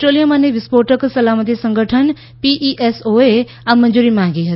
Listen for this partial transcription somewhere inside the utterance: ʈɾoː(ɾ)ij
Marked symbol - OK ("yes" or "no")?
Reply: no